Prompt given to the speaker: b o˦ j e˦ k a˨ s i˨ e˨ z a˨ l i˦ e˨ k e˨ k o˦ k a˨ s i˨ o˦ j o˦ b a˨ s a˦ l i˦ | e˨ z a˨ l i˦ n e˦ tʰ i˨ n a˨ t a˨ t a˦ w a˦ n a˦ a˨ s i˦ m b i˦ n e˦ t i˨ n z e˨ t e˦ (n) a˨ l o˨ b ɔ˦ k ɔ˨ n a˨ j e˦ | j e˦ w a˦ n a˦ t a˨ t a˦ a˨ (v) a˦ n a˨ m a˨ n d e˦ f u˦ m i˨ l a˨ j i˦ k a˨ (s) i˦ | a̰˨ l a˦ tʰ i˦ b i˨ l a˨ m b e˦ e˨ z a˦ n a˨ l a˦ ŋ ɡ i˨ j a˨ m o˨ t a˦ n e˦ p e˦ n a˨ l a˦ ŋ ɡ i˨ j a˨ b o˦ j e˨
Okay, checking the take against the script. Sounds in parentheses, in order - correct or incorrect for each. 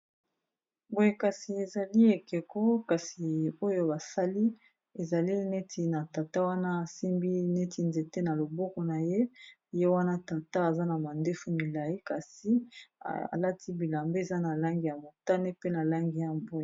correct, incorrect: z, correct

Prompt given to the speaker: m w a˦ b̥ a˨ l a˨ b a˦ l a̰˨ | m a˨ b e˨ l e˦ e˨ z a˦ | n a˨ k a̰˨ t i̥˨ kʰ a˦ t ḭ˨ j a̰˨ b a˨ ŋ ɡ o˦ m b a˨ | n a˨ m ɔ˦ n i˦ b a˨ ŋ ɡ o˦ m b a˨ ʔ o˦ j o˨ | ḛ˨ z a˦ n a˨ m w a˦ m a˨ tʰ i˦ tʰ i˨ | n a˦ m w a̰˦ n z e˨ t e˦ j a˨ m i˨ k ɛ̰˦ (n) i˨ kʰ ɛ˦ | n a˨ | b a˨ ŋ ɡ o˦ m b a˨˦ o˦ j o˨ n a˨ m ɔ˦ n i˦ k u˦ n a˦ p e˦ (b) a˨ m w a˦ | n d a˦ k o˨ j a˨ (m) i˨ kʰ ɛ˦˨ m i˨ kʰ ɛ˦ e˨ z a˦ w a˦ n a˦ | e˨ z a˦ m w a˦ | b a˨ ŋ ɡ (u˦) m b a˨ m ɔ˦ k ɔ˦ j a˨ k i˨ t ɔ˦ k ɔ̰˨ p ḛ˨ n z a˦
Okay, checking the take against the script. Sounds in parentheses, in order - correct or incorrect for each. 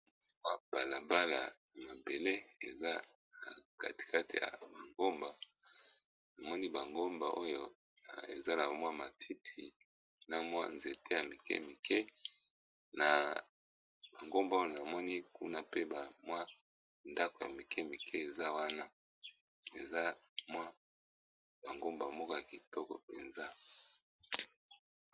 incorrect: m, correct, correct, incorrect: o˦

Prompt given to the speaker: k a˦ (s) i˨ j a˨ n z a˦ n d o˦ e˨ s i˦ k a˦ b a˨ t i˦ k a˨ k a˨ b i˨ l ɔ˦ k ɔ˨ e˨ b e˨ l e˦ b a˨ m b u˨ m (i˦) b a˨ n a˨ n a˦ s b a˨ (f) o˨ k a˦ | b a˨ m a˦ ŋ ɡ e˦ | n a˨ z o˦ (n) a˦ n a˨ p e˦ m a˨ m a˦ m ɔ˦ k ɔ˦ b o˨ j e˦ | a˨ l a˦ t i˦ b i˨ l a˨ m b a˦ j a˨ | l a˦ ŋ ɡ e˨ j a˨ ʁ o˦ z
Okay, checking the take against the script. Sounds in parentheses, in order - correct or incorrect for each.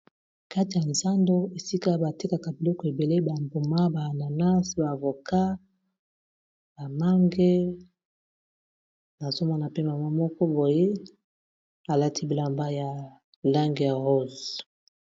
incorrect: t, incorrect: a˦, incorrect: v, incorrect: m

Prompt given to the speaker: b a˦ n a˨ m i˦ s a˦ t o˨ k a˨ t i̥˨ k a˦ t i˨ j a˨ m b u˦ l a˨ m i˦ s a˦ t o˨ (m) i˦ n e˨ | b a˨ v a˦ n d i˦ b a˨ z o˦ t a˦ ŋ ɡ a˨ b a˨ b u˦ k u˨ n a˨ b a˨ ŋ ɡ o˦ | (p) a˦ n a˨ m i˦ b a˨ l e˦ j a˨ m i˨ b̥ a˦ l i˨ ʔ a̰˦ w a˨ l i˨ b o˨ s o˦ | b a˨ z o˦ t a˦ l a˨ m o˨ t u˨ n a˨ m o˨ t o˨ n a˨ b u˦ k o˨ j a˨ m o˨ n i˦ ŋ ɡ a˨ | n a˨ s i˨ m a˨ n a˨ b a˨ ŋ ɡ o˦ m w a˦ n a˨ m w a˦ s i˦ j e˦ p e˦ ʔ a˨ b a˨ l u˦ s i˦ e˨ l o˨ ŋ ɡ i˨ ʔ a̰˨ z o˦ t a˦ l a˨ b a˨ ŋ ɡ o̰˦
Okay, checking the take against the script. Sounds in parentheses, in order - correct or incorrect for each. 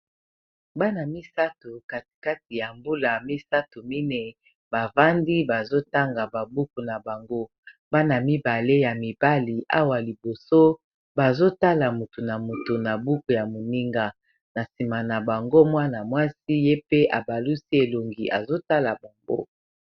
correct, incorrect: b

